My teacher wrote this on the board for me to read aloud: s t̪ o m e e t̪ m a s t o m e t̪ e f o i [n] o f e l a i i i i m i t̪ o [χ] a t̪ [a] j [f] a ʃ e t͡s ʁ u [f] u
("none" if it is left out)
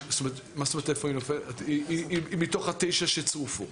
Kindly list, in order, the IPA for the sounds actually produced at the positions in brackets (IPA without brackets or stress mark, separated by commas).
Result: n, χ, e, ʃ, f